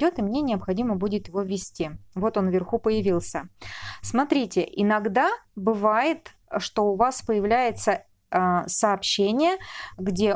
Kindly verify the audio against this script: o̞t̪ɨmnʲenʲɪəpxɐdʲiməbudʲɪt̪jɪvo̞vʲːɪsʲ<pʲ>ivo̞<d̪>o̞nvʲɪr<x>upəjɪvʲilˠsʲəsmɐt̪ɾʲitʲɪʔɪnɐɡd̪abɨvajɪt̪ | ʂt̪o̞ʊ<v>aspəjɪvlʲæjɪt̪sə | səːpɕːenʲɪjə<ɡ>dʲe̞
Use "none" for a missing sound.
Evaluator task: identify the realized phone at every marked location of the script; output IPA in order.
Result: tʲ, t̪, x, v, ɡ

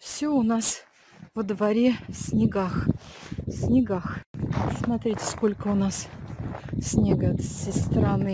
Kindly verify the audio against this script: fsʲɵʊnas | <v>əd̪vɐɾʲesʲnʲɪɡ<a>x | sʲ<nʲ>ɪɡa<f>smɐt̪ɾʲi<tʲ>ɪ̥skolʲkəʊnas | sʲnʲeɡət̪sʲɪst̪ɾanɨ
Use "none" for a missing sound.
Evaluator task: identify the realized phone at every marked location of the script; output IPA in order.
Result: v, a, nʲ, x, tʲ

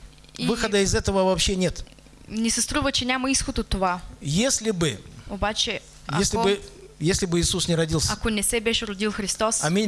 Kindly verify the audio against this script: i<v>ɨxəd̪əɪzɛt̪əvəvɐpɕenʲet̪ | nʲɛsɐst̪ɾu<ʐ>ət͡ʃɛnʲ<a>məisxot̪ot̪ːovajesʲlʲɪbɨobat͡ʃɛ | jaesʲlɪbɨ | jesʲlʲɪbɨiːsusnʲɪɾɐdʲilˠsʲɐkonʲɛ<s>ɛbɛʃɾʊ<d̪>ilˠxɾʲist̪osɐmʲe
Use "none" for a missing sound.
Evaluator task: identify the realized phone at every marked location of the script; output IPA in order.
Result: v, v, a, s, d̪

